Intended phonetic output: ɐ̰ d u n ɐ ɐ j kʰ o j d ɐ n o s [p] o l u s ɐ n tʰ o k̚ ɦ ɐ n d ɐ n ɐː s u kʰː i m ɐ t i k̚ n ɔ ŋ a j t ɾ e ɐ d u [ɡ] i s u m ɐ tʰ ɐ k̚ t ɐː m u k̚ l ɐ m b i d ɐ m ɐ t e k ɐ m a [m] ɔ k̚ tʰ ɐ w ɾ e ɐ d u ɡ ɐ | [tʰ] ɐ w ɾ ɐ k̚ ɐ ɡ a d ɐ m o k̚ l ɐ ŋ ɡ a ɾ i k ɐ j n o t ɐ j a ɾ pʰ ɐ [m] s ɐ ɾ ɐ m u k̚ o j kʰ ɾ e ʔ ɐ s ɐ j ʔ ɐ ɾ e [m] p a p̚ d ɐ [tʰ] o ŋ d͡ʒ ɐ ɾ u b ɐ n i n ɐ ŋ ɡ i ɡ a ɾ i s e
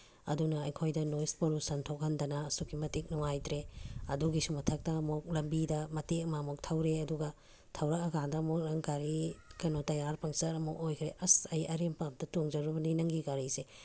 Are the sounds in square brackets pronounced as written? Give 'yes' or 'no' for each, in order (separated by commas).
yes, yes, yes, yes, no, yes, no